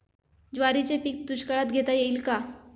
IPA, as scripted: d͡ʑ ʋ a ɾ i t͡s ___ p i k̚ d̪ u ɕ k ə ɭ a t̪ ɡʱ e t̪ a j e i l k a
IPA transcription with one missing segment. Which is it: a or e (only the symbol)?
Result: e